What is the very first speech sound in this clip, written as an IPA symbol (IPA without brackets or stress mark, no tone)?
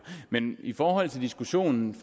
m